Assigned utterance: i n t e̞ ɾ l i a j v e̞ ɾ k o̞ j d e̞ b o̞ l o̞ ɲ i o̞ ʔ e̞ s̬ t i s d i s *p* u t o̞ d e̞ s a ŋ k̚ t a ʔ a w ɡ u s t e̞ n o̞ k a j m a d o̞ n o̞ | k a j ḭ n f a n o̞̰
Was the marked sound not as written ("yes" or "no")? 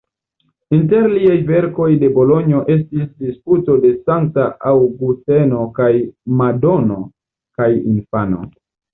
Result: no